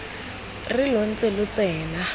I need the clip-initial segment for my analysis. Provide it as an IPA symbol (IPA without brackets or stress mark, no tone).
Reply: r